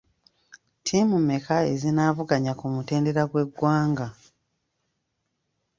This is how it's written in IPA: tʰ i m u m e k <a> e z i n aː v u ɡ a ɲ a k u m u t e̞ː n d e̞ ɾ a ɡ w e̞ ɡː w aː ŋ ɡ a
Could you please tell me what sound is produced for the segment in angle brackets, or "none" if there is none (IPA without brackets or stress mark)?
a